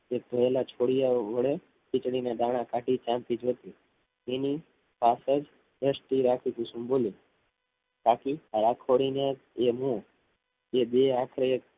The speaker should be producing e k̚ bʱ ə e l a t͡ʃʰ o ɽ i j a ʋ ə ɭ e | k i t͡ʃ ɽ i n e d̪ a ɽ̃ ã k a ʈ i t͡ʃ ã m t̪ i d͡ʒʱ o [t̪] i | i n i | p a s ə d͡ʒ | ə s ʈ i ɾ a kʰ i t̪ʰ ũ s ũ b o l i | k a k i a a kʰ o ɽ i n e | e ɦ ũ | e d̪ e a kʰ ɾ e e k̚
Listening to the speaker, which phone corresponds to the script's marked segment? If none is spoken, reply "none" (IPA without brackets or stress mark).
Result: t̪